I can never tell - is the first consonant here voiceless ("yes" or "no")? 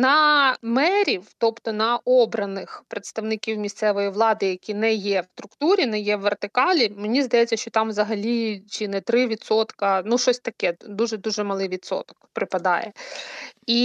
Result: no